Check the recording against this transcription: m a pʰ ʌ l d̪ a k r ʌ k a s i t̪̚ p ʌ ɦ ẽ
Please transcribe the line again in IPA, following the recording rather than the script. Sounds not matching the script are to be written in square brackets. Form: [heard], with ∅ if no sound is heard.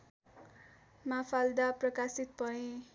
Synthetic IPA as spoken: m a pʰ [a] l d̪ a [p] r ʌ k a s i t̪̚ p ʌ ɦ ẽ